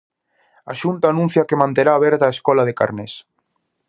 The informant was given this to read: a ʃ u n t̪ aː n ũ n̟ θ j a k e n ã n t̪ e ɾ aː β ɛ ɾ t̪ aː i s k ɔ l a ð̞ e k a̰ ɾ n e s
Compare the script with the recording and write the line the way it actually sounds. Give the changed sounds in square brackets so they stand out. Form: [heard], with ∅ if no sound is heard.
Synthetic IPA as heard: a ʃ u n t̪ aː n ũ n̟ θ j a k e [m] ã n t̪ e ɾ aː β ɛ ɾ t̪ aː [e] s k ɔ l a ð̞ e k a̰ ɾ n e s

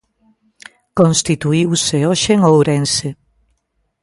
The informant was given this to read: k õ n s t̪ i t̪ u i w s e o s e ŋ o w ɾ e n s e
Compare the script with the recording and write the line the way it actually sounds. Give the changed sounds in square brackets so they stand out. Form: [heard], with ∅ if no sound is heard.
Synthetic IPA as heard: k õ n s t̪ i t̪ u i w s e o [ʃ] e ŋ o w ɾ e n s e

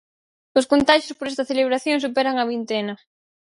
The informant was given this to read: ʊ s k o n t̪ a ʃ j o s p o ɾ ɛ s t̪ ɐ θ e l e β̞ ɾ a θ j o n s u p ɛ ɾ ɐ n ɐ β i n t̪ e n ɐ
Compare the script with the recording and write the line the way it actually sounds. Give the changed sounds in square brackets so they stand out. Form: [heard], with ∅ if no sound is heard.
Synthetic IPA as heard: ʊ s k o n t̪ a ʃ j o s p o ɾ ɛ s t̪ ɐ θ e l e β̞ ɾ a θ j o [ŋ] s u p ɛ ɾ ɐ [ŋ] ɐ β i n t̪ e n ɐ

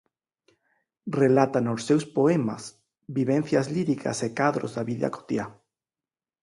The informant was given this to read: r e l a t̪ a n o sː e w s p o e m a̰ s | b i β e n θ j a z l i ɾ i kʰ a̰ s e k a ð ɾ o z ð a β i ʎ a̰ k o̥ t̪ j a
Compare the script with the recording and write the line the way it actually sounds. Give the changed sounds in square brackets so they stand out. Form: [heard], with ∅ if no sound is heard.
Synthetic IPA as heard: r e l a t̪ a n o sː e w s p o e m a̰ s | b i β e n θ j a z l i ɾ i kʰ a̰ s e k a ð ɾ o z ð a β i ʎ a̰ k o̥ t̪ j a

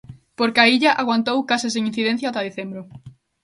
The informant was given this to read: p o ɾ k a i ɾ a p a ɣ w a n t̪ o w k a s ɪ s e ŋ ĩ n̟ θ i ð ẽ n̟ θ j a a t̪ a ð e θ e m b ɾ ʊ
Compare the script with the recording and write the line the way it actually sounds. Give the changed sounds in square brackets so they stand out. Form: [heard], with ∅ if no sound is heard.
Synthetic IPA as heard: p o ɾ k a i [ʎ] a [ʔ] a ɣ w a n t̪ o w k a s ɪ s e ŋ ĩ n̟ θ i ð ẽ n̟ θ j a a t̪ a ð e θ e m b ɾ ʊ

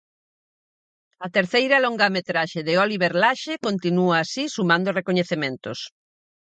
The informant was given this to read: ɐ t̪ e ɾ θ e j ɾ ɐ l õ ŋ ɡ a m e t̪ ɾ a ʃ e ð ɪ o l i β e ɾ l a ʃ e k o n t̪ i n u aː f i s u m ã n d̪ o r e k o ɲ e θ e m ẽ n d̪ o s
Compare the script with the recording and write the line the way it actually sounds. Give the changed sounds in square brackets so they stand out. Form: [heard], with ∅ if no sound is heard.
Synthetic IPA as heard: ɐ t̪ e ɾ θ e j ɾ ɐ l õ ŋ ɡ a m e t̪ ɾ a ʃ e ð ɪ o l i β e ɾ l a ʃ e k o n t̪ i n u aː [s] i s u m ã n d̪ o r e k o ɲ e θ e m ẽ n [t̪] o s

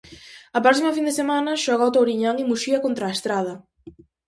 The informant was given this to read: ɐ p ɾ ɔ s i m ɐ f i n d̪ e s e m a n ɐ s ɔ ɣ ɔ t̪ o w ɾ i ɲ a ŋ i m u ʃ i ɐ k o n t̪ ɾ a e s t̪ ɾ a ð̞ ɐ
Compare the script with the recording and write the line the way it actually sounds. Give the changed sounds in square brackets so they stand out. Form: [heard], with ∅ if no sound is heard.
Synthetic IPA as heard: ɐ p ɾ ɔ s i m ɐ f i n d̪ e s e m a n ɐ [ʃ] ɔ ɣ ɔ t̪ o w ɾ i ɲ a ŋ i m u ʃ i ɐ k o n t̪ ɾ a e s t̪ ɾ a ð̞ ɐ

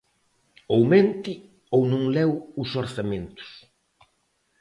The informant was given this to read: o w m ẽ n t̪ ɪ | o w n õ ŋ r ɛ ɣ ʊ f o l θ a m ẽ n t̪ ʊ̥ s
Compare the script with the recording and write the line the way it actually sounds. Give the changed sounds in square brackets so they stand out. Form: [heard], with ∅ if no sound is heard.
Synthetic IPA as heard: o w m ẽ n t̪ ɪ | o w n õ ŋ [l] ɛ [w] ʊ [s] o [ɾ] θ a m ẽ n t̪ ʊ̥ s

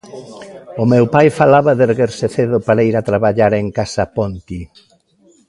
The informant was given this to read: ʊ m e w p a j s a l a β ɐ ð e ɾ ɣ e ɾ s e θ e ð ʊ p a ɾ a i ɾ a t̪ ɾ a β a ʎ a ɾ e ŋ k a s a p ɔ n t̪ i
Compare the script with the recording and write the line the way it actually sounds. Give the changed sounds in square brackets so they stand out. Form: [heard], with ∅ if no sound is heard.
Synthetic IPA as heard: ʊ m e w p a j [f] a l a β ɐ ð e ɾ ɣ e ɾ s e θ e ð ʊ p a ɾ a i ɾ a t̪ ɾ a β a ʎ a ɾ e ŋ k a s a p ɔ n t̪ i

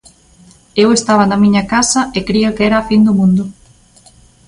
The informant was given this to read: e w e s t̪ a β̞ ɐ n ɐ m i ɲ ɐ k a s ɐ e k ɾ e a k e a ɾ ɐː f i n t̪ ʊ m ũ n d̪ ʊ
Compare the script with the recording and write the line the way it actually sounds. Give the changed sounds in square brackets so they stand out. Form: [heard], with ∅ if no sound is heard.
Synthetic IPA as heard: e w e s t̪ a β̞ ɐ n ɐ m i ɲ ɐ k a s ɐ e k ɾ [i] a k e [ɛ] ɾ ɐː f i n [d̪] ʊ m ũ n d̪ ʊ

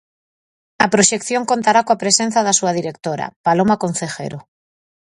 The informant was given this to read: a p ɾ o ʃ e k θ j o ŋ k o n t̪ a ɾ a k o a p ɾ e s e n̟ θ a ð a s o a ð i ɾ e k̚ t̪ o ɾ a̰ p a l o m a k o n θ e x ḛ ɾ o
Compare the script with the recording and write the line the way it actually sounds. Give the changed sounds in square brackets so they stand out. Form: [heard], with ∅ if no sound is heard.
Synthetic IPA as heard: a p ɾ o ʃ e k θ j o ŋ k o n t̪ a ɾ a k o a p ɾ e s e n̟ θ a ð a s [u] a ð i ɾ e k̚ t̪ o ɾ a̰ p a l o m a k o n θ e x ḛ ɾ o

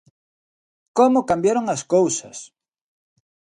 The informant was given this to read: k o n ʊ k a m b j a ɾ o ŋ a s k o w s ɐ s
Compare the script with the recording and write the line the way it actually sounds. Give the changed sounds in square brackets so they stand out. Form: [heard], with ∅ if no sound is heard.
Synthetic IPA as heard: k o [m] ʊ k a m b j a ɾ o ŋ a s k o w s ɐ s

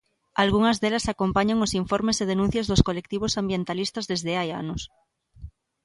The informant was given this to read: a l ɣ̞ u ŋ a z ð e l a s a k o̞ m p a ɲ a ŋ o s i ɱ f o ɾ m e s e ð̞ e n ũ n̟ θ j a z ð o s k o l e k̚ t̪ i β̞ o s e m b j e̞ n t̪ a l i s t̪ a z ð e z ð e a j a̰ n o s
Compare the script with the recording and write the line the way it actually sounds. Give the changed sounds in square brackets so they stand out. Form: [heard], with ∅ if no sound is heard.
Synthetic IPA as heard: a l ɣ̞ u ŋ a z ð e l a s a k o̞ m p a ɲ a ŋ o s i ɱ f o ɾ m e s e ð̞ e n ũ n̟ θ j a z ð o s k o l e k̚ t̪ i β̞ o s [a] m b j e̞ n t̪ a l i s t̪ a z ð e z ð e a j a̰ n o s

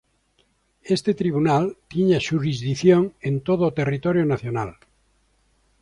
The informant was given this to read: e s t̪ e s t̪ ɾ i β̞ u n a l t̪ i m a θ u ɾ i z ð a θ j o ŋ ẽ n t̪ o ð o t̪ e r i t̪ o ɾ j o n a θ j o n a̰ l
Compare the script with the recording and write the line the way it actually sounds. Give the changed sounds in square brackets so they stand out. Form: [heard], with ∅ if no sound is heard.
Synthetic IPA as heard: e s t̪ e [∅] t̪ ɾ i β̞ u n a l t̪ i [ɲ] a [ʃ] u ɾ i z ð [i] θ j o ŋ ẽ n t̪ o ð o t̪ e r i t̪ o ɾ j o n a θ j o n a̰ l

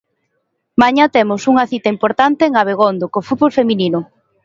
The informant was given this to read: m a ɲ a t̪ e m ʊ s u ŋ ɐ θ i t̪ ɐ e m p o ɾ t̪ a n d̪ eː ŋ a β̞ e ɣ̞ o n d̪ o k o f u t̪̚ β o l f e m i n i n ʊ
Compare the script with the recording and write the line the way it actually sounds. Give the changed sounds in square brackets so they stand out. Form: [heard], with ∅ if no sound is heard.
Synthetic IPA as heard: m a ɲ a t̪ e m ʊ s u ŋ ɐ θ i t̪ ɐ [i] m p o ɾ t̪ a n [t̪] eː ŋ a β̞ e ɣ̞ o n d̪ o k o f u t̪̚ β o l f e m i n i n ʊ

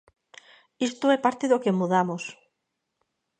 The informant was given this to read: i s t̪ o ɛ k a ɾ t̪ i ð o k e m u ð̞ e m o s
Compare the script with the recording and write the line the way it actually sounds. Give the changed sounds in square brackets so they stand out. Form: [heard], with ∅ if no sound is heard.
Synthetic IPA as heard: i s t̪ o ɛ [p] a ɾ t̪ [e] ð o k e m u ð̞ [a] m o s

